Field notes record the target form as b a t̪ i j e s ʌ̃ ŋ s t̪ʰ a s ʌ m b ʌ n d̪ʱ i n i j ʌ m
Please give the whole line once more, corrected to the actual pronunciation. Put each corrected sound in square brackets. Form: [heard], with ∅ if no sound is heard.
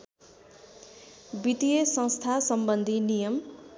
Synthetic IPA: b [i] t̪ i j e s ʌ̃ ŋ s t̪ʰ a s ʌ m b ʌ n d̪ʱ i n i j ʌ m